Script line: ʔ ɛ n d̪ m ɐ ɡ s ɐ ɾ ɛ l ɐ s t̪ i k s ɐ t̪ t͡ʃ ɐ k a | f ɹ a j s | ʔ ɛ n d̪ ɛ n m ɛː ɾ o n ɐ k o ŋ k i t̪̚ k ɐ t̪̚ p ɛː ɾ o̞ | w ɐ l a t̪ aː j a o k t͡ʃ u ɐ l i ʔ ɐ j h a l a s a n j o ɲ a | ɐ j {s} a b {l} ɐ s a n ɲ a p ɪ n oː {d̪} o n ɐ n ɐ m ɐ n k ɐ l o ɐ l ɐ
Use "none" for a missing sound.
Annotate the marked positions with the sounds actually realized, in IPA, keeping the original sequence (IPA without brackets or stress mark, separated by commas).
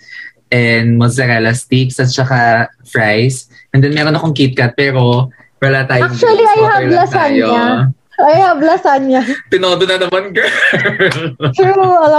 h, l, d̪